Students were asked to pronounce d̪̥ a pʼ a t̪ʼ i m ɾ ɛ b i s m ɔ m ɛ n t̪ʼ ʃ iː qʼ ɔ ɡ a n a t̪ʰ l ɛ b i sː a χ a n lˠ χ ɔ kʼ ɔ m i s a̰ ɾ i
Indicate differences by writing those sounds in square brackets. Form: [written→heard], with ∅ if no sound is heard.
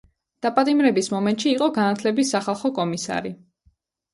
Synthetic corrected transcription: d̪̥ a pʼ a t̪ʼ i m ɾ ɛ b i s m ɔ m ɛ n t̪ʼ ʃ iː qʼ ɔ ɡ a n a t̪ʰ l ɛ b i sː a χ a [n→∅] lˠ χ ɔ kʼ ɔ m i s a̰ ɾ i